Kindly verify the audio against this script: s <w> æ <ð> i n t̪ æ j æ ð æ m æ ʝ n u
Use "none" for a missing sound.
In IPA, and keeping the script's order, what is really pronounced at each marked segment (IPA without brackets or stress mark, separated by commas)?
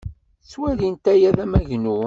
w, ð